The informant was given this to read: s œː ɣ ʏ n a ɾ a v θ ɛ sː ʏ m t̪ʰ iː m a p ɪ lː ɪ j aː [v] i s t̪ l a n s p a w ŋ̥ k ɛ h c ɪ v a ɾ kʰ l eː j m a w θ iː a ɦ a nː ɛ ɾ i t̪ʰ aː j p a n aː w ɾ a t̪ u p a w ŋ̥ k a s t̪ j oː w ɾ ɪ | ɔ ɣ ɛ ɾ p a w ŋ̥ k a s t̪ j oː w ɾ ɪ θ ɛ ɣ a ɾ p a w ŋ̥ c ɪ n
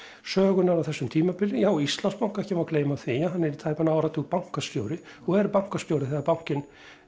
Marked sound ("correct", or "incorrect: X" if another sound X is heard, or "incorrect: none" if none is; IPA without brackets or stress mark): incorrect: w